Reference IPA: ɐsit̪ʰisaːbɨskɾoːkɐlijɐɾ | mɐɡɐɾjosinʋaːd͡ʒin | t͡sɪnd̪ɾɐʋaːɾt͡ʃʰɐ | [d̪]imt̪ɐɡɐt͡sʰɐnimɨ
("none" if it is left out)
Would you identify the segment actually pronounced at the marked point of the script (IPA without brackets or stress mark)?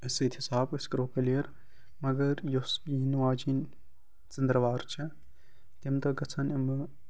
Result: t̪